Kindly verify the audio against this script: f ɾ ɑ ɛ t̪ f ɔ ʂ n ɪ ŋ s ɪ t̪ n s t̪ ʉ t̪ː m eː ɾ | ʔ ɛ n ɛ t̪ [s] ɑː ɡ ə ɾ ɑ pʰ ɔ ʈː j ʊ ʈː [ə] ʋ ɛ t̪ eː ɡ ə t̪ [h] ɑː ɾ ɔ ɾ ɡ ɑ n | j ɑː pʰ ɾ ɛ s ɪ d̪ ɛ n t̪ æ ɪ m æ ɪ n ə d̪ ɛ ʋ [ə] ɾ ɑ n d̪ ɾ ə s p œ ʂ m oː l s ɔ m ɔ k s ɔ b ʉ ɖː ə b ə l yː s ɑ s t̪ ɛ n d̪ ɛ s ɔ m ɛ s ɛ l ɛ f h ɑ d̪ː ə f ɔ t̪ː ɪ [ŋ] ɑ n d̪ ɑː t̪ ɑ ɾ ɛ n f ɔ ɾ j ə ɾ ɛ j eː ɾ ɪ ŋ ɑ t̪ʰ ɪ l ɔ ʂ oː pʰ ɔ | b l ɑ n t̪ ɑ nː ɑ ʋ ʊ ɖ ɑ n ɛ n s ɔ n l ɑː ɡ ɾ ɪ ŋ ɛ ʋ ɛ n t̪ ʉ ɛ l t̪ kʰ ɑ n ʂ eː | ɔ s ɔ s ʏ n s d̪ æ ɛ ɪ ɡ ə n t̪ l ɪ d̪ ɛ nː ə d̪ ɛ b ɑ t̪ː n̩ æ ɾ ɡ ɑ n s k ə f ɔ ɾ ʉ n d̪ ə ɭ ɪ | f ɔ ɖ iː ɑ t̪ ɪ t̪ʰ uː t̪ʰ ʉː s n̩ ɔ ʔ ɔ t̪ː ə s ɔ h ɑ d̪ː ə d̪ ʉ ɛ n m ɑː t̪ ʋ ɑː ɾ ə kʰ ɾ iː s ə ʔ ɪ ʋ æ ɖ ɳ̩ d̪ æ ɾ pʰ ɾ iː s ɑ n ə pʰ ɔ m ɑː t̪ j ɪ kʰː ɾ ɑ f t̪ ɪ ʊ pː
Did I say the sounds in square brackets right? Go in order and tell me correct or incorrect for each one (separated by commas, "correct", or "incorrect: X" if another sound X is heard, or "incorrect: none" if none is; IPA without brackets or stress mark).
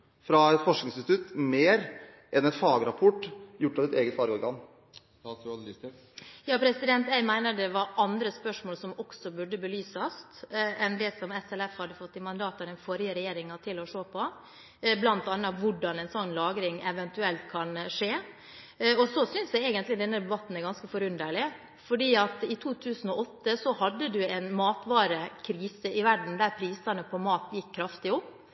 incorrect: f, incorrect: ɑ, incorrect: f, incorrect: ɑ, incorrect: m